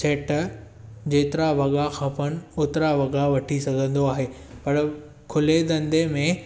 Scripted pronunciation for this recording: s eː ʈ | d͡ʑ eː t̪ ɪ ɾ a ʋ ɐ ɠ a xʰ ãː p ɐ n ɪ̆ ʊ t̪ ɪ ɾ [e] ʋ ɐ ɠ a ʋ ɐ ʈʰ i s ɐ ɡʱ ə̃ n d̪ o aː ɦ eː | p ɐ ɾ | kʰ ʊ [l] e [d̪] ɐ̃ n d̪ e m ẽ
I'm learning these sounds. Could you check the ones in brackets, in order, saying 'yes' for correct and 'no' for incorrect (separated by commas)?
no, yes, yes